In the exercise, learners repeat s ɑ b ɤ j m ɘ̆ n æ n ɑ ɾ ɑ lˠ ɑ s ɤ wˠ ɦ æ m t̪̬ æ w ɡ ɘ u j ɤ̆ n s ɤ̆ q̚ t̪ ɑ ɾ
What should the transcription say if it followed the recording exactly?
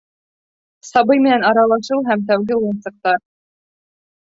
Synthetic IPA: s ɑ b ɤ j m ɘ̆ n æ n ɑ ɾ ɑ lˠ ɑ ʃ ɤ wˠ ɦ æ m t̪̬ æ w ɡ ɘ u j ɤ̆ n s ɤ̆ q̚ t̪ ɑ ɾ

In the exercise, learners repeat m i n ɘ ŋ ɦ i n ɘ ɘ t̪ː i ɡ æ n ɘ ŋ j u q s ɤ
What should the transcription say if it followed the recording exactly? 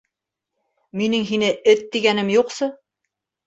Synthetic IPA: m i n ɘ ŋ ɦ i n ɘ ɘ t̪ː i ɡ æ n ɘ m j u q s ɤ

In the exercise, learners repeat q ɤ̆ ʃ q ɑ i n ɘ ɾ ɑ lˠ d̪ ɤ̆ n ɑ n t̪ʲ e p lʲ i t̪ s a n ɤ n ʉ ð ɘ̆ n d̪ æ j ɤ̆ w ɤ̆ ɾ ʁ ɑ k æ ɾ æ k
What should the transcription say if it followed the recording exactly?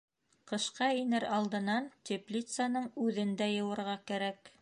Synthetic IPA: q ɤ̆ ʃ q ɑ i n ɘ ɾ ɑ lˠ d̪ ɤ̆ n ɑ n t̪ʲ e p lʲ i t̪ s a n ɤ ɴ ʉ ð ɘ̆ n d̪ æ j ɤ̆ w ɤ̆ ɾ ʁ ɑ k æ ɾ æ k

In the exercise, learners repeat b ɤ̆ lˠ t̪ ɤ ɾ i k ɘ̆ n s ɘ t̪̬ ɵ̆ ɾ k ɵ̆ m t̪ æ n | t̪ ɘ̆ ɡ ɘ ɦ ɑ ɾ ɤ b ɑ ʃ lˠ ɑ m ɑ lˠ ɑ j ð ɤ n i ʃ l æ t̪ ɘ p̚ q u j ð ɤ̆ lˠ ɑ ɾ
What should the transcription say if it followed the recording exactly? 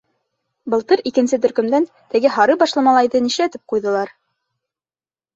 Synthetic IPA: b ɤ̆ lˠ t̪ ɤ ɾ i k ɘ̆ n s ɘ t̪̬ ɵ̆ ɾ k ɵ̆ m d̪ æ n | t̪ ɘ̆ ɡ ɘ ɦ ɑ ɾ ɤ b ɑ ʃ lˠ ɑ m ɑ lˠ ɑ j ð ɤ n i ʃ l æ t̪ ɘ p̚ q u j ð ɤ̆ lˠ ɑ ɾ

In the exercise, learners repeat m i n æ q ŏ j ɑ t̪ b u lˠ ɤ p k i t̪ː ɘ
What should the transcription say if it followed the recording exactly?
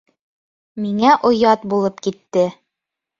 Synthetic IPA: m i ŋ æ ʔ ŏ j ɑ t̪ b u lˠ ɤ p k i t̪ː ɘ

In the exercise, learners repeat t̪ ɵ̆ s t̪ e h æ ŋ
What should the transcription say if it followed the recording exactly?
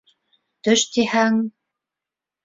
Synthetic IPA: t̪ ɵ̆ ʃ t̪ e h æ ŋ

